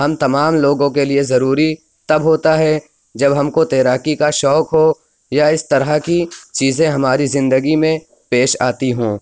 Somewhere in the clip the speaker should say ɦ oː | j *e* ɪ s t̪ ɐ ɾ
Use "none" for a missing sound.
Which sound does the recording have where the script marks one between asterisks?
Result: a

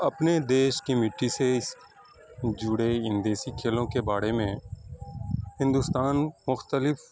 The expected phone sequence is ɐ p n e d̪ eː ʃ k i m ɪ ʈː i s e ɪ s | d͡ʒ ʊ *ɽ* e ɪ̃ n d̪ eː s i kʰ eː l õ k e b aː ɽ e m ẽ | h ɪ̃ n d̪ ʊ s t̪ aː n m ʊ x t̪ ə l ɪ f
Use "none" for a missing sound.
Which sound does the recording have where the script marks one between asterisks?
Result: ɽ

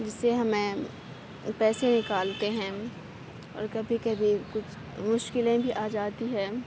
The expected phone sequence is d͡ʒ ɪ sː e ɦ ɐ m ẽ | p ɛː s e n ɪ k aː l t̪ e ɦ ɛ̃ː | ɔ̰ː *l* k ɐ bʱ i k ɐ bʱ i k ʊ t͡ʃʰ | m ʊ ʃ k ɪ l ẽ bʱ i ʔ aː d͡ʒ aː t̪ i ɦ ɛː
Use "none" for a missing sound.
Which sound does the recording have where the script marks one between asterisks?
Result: ɾ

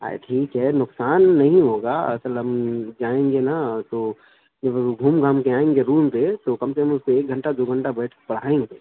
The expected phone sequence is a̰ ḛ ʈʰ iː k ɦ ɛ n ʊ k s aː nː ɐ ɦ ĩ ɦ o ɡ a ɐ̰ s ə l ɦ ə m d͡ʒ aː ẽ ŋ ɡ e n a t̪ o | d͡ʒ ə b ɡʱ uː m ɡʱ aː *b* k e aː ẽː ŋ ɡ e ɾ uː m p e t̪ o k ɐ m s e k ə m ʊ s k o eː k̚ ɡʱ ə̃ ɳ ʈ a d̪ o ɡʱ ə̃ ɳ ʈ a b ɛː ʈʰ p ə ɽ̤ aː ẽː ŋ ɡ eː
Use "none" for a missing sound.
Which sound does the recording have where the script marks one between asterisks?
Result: m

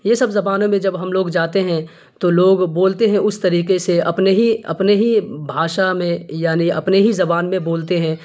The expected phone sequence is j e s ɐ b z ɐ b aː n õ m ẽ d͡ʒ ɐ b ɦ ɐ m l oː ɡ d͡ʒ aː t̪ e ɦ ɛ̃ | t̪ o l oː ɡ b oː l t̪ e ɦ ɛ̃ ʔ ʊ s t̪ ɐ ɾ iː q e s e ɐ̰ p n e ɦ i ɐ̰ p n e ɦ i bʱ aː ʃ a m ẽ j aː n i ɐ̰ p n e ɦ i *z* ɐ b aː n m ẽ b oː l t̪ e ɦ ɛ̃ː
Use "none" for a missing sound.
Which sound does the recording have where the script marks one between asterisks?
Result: z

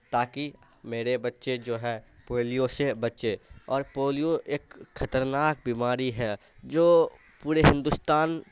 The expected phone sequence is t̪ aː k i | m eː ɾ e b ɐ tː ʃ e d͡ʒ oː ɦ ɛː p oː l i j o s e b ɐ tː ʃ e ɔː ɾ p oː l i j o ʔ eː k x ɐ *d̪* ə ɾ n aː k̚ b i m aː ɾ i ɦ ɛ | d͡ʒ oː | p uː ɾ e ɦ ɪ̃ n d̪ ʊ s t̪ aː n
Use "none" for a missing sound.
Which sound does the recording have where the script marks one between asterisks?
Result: t̪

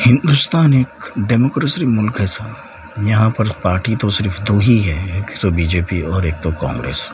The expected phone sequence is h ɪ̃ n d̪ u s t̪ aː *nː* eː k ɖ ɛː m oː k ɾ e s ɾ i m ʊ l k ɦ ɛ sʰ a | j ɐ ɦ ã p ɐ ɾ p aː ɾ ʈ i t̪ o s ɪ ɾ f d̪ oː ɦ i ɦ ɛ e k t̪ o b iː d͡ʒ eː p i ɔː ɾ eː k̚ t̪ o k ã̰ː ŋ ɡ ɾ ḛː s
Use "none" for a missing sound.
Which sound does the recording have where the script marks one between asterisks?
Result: n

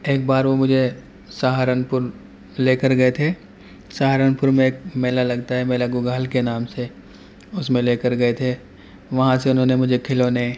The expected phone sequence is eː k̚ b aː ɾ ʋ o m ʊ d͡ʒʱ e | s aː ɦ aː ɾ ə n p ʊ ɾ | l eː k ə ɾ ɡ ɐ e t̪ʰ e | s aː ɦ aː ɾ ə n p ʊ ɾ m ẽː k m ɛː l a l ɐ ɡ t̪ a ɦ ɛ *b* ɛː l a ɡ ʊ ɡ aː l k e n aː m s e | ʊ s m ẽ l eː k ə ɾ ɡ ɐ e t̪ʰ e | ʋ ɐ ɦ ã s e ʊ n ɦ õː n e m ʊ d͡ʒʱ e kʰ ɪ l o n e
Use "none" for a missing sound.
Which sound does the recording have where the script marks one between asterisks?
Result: m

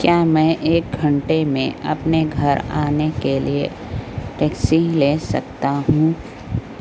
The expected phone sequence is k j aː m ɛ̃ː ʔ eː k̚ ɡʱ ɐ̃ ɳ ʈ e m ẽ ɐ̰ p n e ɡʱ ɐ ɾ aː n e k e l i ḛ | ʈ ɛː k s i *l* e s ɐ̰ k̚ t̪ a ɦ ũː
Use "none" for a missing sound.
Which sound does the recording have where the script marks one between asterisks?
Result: l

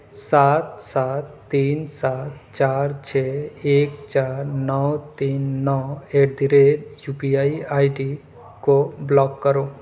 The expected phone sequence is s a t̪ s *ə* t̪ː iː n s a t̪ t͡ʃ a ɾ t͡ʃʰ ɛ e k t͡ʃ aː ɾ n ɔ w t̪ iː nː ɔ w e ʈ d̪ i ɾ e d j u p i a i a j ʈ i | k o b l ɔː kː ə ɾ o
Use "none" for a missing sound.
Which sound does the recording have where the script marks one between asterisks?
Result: a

